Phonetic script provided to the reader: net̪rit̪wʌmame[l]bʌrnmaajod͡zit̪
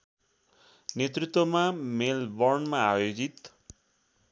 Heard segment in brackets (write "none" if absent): l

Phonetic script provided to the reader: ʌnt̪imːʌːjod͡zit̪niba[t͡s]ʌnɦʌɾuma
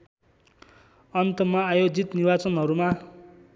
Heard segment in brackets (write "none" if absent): t͡s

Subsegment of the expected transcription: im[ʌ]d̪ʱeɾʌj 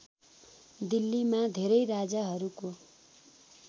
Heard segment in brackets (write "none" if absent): a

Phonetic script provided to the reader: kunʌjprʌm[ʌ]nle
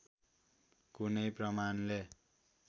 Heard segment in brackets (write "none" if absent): a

